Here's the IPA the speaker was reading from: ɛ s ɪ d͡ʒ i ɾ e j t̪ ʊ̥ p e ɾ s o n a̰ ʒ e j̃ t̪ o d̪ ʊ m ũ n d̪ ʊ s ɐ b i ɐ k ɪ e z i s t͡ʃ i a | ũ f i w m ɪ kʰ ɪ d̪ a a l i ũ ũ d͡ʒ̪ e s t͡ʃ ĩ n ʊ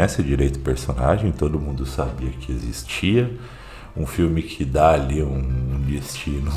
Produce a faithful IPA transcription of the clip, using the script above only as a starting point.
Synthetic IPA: ɛ s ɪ d͡ʒ i ɾ e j t̪ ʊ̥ p e ɾ s o n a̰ ʒ ẽ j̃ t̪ o d̪ ʊ m ũ n d̪ ʊ s a b i ɐ k ɪ e z i s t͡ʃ i ɐ | ũ f i w m ɪ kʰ ɪ d̪ a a l i ũ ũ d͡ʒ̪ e s t͡ʃ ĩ n ʊ